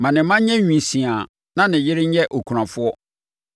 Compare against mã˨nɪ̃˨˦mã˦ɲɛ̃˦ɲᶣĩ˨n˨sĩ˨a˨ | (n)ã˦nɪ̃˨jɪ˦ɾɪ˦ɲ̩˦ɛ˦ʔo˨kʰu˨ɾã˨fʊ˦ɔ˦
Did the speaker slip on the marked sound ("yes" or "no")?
no